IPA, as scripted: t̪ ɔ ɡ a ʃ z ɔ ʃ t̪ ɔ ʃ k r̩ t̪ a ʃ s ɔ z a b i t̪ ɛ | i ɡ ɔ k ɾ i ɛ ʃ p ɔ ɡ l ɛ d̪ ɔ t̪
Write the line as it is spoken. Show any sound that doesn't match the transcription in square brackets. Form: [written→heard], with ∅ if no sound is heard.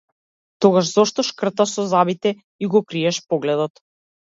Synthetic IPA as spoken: t̪ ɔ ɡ a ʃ z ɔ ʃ t̪ ɔ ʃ k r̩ t̪ a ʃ s ɔ z a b i t̪ ɛ | i ɡ ɔ k ɾ i ɛ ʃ p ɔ ɡ l ɛ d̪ ɔ t̪

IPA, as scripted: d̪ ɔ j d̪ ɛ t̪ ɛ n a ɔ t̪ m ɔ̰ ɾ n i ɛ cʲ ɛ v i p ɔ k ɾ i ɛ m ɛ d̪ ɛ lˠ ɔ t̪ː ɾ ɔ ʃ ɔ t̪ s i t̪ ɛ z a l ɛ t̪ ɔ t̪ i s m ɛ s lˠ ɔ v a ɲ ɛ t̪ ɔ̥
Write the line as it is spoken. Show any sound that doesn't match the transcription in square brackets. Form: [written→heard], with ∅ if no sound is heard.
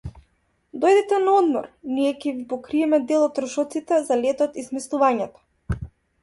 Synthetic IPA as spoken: d̪ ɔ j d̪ ɛ t̪ ɛ n a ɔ [t̪→d̪] m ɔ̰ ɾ n i ɛ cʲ ɛ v i p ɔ k ɾ i ɛ m ɛ d̪ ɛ lˠ ɔ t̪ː ɾ ɔ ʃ ɔ t̪ s i t̪ ɛ z a l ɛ t̪ ɔ t̪ i s m ɛ s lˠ [ɔ→u] v a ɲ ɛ t̪ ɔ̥

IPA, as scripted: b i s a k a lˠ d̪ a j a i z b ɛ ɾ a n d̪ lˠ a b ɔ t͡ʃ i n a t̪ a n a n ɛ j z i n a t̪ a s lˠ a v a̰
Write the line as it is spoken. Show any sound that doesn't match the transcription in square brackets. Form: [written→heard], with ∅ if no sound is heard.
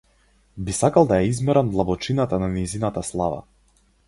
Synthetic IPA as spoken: b i s a k a lˠ d̪ a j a i z [b→m] ɛ ɾ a n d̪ lˠ a b ɔ t͡ʃ i n a t̪ a n a n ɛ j z i n a t̪ a s lˠ a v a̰

